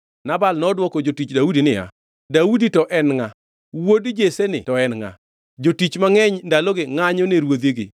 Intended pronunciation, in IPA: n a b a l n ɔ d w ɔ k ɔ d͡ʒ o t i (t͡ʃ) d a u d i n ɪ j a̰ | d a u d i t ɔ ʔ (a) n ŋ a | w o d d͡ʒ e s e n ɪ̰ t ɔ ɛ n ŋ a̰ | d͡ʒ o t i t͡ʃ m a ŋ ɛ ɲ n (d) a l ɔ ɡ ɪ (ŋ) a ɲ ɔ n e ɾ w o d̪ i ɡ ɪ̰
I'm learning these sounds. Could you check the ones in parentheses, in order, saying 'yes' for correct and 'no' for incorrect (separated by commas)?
yes, no, yes, yes